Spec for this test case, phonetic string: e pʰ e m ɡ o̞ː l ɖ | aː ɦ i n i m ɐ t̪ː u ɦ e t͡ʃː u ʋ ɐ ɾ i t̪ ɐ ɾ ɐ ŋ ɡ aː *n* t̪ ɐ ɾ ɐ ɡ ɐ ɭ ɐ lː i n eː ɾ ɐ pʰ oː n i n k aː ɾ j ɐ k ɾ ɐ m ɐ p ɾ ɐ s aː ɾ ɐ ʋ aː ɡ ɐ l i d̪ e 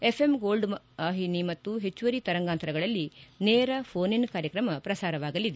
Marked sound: correct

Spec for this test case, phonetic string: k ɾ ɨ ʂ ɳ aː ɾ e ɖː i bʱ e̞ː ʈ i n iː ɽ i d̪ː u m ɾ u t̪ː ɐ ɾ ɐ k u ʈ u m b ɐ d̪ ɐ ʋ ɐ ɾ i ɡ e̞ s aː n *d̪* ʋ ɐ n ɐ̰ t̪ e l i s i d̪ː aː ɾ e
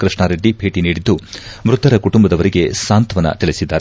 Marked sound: incorrect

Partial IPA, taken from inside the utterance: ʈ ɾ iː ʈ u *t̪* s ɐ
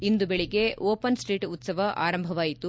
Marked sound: correct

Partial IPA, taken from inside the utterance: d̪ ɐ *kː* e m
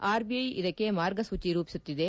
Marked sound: correct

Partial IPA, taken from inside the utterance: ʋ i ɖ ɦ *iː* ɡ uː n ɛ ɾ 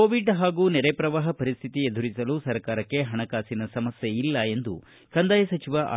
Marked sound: incorrect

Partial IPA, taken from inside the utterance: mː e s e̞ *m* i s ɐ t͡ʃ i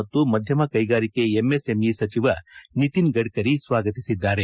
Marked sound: correct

